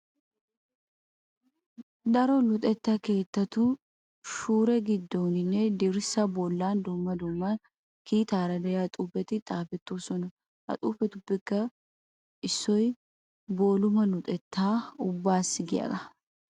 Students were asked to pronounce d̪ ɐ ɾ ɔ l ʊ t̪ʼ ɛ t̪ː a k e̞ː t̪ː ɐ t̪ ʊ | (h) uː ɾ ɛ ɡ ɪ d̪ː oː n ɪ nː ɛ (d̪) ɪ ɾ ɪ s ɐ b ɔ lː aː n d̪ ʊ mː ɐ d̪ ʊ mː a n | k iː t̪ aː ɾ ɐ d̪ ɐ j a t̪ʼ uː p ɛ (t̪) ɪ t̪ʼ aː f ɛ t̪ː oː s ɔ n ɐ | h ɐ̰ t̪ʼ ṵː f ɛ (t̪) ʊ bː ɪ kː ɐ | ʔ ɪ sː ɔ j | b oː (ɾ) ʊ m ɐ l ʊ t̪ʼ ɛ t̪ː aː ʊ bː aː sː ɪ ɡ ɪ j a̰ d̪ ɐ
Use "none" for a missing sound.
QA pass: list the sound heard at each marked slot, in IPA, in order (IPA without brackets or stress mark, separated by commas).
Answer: ʃ, d̪, t̪, t̪, l